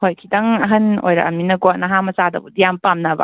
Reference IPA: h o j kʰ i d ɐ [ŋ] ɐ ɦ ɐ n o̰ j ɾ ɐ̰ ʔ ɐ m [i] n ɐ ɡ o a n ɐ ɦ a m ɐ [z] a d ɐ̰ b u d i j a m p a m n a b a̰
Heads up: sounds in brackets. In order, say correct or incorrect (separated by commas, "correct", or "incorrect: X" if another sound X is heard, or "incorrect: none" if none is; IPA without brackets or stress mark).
correct, correct, incorrect: s